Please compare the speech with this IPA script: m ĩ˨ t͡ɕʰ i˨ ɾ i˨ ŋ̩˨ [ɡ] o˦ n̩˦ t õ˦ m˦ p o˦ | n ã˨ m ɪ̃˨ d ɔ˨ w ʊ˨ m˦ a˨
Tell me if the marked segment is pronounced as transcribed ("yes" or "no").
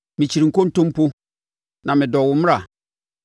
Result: no